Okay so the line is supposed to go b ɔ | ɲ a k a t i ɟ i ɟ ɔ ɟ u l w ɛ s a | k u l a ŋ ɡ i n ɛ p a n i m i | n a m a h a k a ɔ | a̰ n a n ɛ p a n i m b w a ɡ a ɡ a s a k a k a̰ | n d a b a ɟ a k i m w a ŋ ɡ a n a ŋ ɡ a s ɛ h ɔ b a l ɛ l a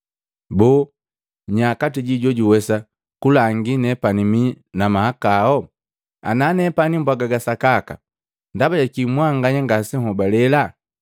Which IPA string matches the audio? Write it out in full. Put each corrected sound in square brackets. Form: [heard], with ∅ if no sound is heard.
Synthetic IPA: b ɔ | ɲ a k a t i ɟ i ɟ ɔ ɟ u [∅] w ɛ s a | k u l a ŋ ɡ i n ɛ p a n i m i | n a m a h a k a ɔ | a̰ n a n ɛ p a n i m b w a ɡ a ɡ a s a k a k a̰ | n d a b a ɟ a k i m w a ŋ ɡ a [ɲ] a ŋ ɡ a s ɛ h ɔ b a l ɛ l a